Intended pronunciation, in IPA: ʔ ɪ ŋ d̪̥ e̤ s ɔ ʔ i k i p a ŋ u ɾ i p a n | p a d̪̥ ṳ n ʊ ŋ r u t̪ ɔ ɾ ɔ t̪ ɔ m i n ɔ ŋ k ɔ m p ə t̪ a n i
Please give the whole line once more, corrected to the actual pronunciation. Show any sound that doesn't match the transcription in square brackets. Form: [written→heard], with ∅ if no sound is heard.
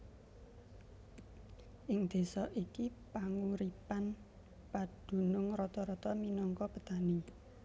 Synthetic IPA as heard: ʔ ɪ ŋ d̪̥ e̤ s ɔ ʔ i k i p a ŋ u ɾ i p a n | p a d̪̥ ṳ n ʊ ŋ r [u→ɔ] t̪ ɔ ɾ ɔ t̪ ɔ m i n ɔ ŋ k ɔ [m→∅] p ə t̪ a n i